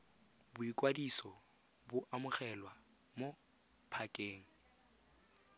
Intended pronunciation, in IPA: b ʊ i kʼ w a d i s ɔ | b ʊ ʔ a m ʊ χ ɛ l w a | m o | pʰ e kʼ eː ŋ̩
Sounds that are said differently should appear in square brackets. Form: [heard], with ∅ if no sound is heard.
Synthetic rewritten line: b ʊ i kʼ w a d i s ɔ | b ʊ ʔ a m ʊ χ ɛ l w a | m o | pʰ [a] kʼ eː ŋ̩